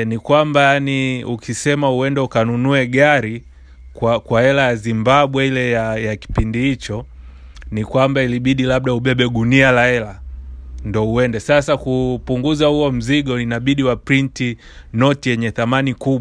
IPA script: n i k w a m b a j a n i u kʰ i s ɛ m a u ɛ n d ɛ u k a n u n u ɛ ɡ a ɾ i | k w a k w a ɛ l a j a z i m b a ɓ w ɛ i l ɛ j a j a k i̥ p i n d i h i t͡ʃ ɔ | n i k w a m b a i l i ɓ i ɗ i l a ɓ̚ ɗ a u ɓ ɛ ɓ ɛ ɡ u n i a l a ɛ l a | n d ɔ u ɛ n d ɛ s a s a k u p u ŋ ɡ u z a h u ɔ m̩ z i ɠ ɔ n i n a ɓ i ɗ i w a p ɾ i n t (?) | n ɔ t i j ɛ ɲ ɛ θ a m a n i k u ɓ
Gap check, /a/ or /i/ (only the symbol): i